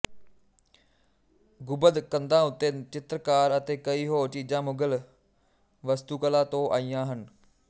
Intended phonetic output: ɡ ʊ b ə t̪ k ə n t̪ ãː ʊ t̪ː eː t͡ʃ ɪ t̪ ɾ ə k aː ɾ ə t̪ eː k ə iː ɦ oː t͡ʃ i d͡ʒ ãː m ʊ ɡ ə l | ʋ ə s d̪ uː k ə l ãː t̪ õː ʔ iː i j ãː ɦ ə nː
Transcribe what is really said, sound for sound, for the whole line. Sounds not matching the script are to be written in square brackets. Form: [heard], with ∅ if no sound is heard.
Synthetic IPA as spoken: ɡ ʊ b ə [d̪] k ə n [d̪] ãː ʊ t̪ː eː t͡ʃ ɪ t̪ ɾ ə k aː ɾ ə t̪ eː k ə iː ɦ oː t͡ʃ [iː] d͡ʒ ãː m ʊ ɡ ə l | ʋ ə s [t̪] uː k ə l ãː t̪ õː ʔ [aː] i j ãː ɦ ə [n]